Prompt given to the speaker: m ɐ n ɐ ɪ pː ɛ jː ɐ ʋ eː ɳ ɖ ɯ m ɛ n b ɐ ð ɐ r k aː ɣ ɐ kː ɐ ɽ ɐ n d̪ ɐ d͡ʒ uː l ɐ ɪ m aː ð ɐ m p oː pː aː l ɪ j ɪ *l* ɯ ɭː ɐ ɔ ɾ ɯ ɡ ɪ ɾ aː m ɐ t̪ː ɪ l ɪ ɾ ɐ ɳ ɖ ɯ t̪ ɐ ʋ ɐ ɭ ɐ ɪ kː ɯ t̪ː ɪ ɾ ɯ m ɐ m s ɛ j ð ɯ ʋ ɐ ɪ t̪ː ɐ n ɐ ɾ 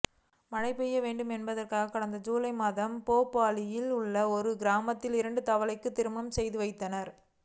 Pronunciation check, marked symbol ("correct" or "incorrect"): correct